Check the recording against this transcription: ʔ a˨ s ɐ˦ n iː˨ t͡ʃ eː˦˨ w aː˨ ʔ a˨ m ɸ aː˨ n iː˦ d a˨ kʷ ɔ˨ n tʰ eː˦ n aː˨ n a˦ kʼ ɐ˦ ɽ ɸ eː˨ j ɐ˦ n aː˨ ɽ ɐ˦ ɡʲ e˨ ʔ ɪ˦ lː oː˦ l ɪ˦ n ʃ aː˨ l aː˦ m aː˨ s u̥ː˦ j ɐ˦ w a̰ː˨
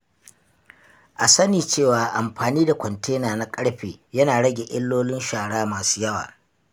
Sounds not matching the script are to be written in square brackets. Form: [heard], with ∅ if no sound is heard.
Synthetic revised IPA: ʔ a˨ s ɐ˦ n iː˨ t͡ʃ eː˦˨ w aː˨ ʔ a˨ m ɸ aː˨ n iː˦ d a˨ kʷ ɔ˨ n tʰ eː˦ n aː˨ n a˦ kʼ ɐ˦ ɽ ɸ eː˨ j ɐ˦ n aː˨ ɽ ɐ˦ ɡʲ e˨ ʔ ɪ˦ lː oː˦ l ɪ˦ n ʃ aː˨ [ɽ] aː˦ m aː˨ s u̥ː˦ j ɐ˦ w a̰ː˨

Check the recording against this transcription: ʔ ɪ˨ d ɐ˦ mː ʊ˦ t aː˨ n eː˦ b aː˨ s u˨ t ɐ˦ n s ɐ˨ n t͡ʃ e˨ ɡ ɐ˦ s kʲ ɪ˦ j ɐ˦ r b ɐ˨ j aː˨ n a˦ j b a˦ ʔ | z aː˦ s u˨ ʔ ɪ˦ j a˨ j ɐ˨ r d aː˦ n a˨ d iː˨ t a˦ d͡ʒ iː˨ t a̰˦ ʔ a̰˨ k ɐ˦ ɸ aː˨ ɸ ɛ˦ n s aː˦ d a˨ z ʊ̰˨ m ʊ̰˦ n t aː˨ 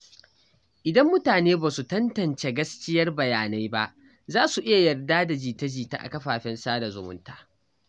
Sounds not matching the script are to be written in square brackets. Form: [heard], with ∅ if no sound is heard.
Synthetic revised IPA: ʔ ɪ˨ d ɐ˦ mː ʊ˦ t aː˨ n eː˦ b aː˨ s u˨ t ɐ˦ n [t] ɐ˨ n t͡ʃ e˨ ɡ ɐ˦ s kʲ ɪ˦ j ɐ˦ r b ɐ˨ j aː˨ n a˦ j b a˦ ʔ | z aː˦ s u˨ ʔ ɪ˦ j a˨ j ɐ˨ r d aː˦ [d] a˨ [d͡ʒ] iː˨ t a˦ d͡ʒ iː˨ t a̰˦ ʔ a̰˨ k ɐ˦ ɸ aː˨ ɸ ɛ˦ n s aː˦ d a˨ z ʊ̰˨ m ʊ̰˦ n t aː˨

